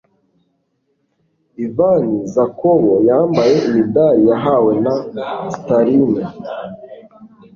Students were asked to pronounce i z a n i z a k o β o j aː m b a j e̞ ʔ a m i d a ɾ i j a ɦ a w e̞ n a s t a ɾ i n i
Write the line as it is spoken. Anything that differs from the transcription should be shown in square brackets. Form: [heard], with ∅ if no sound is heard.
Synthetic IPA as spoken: i [v] a n i z a k o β o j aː m b a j e̞ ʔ [i] m i d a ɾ i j a ɦ a w e̞ n a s t a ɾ i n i